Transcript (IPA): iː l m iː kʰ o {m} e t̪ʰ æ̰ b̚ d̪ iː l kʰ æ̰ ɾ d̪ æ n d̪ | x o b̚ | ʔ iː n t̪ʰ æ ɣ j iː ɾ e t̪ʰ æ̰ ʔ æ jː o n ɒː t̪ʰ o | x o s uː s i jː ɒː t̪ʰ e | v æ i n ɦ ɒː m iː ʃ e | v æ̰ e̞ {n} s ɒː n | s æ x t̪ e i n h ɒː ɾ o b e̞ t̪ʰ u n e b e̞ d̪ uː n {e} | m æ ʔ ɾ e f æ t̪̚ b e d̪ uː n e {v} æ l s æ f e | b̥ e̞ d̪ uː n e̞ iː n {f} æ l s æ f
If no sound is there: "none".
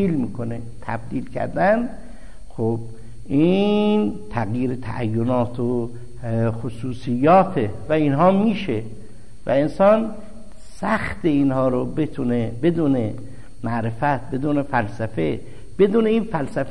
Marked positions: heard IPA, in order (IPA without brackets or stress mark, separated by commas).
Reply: n, n, e, f, f